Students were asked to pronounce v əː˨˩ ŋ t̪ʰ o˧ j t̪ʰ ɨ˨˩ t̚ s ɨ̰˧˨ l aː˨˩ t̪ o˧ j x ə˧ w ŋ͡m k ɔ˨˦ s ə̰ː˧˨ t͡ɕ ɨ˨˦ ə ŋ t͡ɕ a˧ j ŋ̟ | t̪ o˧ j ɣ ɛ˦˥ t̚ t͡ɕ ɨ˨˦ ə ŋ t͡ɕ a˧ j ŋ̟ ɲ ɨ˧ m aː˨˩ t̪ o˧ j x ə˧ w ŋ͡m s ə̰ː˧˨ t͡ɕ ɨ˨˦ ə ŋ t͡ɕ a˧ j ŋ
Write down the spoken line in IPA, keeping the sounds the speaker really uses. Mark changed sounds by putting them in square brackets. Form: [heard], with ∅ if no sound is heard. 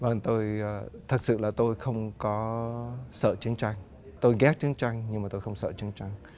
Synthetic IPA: v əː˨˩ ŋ [t̪] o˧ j t̪ʰ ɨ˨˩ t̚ s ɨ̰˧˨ l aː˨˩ t̪ o˧ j x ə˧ w ŋ͡m k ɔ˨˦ s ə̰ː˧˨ t͡ɕ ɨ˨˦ ə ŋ t͡ɕ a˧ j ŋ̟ | t̪ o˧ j ɣ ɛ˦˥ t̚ t͡ɕ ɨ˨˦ ə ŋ t͡ɕ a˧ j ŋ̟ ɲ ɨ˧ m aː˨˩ t̪ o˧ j x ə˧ w ŋ͡m s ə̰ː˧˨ t͡ɕ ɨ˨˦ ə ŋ t͡ɕ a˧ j ŋ

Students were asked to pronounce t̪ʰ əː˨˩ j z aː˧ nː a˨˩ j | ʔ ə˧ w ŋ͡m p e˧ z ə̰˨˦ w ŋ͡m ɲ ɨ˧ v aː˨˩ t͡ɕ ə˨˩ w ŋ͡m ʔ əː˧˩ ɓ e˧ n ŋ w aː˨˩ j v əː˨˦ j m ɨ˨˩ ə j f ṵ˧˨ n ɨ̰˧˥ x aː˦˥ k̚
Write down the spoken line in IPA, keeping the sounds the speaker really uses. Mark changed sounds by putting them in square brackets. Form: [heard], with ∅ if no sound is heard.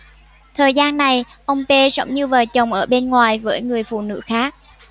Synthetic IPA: t̪ʰ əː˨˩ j z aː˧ nː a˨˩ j | ʔ ə˧ w ŋ͡m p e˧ z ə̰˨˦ w ŋ͡m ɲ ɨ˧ v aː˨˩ t͡ɕ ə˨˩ w ŋ͡m ʔ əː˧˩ ɓ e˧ n ŋ w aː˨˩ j v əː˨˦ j [ŋ] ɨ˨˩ ə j f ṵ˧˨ n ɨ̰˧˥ x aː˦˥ k̚

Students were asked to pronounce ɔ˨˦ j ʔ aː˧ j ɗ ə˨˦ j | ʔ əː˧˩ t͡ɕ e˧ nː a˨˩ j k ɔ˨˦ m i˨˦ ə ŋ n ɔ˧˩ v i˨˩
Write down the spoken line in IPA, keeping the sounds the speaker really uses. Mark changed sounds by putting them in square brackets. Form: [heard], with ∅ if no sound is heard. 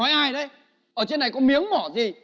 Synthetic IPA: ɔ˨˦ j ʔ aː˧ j ɗ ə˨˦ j | ʔ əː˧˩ t͡ɕ e˧ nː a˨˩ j k ɔ˨˦ m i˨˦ ə ŋ [m] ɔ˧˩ [z] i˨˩

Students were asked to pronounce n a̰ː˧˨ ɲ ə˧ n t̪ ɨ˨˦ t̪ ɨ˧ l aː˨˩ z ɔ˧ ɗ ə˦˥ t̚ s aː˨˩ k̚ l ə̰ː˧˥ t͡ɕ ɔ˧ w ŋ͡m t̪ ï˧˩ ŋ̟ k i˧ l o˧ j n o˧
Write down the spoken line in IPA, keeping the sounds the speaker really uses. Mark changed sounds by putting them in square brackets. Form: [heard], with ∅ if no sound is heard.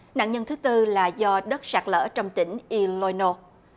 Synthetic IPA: n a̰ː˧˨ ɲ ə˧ n t̪ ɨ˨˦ t̪ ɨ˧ l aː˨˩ z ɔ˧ ɗ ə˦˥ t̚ s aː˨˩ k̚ l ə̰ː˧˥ t͡ɕ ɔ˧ w ŋ͡m t̪ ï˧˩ ŋ̟ [ʔ] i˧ l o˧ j n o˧

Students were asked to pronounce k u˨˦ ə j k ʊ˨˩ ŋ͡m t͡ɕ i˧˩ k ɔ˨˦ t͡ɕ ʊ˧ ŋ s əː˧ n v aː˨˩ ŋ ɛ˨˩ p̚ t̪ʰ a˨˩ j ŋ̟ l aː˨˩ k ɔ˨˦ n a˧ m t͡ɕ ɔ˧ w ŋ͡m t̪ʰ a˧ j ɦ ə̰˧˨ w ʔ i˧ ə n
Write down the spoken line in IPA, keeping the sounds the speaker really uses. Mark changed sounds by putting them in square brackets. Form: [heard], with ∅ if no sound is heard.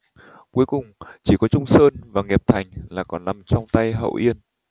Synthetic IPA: k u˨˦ ə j k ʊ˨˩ ŋ͡m t͡ɕ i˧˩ k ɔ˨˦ t͡ɕ ʊ˧ [ŋ͡m] s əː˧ n v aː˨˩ ŋ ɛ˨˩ p̚ t̪ʰ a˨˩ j ŋ̟ l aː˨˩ k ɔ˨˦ n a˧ m t͡ɕ ɔ˧ w ŋ͡m [t̪] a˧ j ɦ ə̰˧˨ w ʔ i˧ ə n

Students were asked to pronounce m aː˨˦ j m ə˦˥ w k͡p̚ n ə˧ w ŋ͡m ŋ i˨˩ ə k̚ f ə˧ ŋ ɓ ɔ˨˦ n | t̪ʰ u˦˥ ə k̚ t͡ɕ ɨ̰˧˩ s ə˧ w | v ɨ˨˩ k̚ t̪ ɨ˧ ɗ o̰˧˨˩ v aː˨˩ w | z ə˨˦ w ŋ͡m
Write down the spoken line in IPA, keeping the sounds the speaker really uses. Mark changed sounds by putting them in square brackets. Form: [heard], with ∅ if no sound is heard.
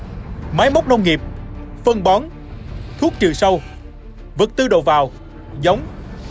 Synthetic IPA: m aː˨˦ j m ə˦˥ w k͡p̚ n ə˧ w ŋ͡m ŋ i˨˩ ə [p̚] f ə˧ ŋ ɓ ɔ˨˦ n | t̪ʰ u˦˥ ə k̚ t͡ɕ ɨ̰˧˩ s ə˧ w | v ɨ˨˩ k̚ t̪ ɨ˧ ɗ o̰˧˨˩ v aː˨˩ w | z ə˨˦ w ŋ͡m

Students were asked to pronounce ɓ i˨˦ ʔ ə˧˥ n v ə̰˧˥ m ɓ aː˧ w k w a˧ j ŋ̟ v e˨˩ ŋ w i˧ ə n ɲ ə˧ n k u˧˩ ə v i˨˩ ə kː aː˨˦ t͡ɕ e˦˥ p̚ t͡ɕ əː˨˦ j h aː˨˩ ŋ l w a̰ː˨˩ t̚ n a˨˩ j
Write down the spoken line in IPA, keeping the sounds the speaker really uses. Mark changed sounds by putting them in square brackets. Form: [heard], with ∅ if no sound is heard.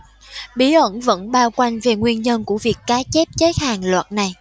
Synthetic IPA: ɓ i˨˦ ʔ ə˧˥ n v ə̰˧˥ [n] ɓ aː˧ w k w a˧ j ŋ̟ v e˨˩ ŋ w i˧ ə n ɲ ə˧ n k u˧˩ ə v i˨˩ ə kː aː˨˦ t͡ɕ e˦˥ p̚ t͡ɕ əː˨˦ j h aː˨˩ ŋ l w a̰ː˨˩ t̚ n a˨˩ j

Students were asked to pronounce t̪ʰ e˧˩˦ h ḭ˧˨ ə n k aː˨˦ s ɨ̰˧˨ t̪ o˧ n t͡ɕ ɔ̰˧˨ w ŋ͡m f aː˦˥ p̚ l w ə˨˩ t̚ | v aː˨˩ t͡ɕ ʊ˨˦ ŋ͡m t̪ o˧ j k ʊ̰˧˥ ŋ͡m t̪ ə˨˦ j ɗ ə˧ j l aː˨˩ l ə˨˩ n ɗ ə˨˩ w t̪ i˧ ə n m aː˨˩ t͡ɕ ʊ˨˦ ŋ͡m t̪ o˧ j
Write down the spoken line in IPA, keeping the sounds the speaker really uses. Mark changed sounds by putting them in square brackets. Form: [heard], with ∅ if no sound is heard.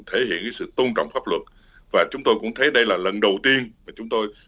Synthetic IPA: t̪ʰ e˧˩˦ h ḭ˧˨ ə n k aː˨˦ s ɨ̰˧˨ t̪ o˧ n t͡ɕ ɔ̰˧˨ w ŋ͡m f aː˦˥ p̚ l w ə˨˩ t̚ | v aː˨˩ t͡ɕ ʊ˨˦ ŋ͡m t̪ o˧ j k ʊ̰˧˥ ŋ͡m [t̪ʰ] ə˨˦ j ɗ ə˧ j l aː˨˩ l ə˨˩ n ɗ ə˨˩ w t̪ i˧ ə n m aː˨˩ t͡ɕ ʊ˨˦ ŋ͡m t̪ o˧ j

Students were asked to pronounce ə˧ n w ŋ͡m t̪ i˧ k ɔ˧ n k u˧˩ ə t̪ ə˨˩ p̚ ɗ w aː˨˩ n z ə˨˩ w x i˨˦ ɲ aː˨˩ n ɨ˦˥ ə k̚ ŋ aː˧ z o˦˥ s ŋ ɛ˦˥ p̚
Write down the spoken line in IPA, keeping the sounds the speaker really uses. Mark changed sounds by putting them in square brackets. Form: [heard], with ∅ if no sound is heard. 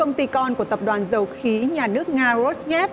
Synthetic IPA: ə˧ [∅] w ŋ͡m t̪ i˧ k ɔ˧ n k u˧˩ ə t̪ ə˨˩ p̚ ɗ w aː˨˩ n z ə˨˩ w x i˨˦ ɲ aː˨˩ n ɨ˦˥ ə k̚ ŋ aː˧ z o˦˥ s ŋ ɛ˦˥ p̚

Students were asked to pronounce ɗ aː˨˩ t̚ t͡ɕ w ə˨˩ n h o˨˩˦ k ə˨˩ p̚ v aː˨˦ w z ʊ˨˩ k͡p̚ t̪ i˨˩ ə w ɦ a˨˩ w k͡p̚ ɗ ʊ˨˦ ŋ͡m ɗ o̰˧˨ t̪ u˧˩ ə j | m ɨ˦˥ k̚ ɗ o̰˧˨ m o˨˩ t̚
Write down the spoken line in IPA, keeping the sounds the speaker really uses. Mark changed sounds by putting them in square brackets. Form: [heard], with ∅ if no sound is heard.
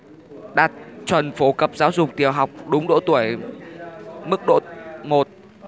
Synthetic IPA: ɗ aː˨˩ t̚ t͡ɕ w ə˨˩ n [f] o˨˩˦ k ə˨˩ p̚ [z] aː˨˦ w z ʊ˨˩ k͡p̚ t̪ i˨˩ ə w ɦ a˨˩ w k͡p̚ ɗ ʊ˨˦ ŋ͡m ɗ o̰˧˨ t̪ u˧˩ ə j | m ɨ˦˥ k̚ ɗ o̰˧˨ m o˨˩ t̚

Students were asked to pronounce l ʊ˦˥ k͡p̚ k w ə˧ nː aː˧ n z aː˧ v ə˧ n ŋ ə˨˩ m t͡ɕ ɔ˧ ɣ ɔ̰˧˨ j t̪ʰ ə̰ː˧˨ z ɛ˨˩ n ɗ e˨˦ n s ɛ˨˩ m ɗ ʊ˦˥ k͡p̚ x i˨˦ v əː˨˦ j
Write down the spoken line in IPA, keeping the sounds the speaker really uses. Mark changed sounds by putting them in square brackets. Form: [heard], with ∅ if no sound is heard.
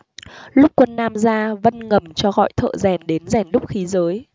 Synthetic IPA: l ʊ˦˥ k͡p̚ k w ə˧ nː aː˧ [m] z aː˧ v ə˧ n ŋ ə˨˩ m t͡ɕ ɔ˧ ɣ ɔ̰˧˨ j t̪ʰ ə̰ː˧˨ z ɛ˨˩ n ɗ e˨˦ n [z] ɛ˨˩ [n] ɗ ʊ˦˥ k͡p̚ x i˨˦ [z] əː˨˦ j

